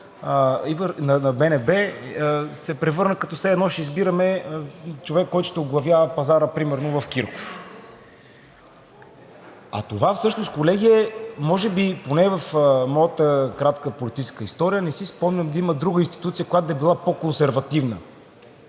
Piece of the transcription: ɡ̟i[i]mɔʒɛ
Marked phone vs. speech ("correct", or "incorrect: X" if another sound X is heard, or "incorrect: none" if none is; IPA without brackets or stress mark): incorrect: ɛ